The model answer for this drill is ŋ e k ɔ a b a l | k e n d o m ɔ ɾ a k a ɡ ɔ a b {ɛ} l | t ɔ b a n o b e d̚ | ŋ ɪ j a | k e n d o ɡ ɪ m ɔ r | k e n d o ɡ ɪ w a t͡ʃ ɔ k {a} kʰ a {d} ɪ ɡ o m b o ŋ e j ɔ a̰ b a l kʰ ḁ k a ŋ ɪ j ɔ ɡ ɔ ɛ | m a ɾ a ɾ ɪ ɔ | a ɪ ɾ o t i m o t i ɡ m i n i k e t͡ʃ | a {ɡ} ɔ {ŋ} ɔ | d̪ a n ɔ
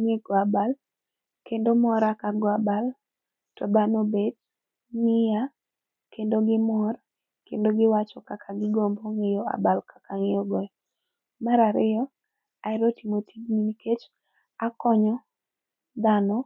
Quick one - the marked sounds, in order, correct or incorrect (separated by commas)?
incorrect, correct, incorrect, incorrect, incorrect